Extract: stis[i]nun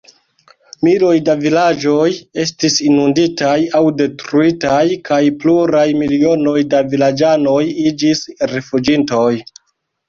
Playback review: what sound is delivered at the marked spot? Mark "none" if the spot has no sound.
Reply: i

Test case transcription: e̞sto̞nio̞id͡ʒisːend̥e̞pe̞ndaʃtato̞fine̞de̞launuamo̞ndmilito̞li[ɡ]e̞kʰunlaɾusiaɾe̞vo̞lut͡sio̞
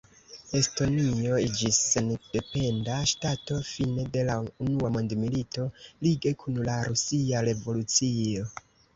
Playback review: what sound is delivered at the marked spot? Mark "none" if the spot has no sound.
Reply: ɡ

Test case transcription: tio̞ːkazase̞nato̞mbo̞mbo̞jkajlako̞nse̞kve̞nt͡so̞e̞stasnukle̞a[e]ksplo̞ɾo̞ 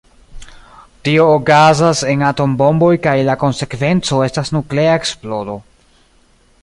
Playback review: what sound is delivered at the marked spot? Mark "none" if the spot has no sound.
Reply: e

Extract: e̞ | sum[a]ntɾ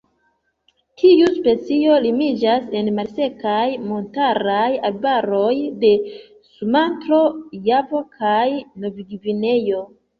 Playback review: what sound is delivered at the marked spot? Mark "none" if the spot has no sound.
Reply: a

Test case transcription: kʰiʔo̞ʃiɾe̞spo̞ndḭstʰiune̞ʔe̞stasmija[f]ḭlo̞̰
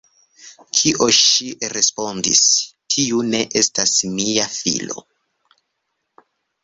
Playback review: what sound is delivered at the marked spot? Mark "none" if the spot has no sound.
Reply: f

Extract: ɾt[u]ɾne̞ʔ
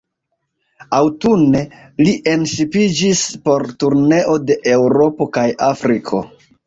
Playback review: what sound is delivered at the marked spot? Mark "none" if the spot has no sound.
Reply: u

